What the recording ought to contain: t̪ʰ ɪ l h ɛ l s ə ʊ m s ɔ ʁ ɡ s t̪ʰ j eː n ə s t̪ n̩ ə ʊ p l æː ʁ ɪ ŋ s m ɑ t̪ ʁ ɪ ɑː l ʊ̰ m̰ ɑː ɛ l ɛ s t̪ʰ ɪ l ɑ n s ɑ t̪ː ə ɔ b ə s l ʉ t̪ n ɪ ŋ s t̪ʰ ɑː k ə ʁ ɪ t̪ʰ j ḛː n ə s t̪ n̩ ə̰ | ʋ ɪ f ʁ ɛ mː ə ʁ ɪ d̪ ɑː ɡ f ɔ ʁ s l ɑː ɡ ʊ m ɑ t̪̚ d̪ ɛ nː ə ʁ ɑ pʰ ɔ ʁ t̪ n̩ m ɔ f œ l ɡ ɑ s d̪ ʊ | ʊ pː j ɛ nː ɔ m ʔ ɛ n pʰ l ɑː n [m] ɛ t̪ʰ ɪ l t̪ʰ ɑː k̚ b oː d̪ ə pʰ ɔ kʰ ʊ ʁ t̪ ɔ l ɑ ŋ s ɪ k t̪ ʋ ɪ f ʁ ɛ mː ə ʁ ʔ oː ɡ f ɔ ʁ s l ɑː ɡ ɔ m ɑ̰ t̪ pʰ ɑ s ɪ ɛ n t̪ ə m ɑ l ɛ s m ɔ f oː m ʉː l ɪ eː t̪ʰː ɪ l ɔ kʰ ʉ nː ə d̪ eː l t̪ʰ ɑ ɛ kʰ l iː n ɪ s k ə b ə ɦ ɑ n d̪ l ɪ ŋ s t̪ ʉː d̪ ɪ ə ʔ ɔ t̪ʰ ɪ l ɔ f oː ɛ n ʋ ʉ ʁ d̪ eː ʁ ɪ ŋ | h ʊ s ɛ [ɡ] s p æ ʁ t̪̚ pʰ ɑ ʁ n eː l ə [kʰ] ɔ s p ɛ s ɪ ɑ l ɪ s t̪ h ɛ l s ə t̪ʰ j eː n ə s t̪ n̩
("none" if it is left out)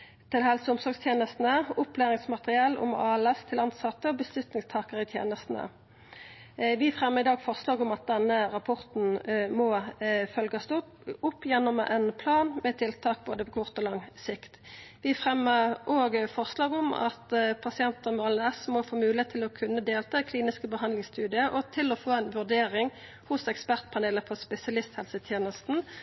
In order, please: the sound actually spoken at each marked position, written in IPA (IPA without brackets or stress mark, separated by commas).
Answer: m, k, pʰ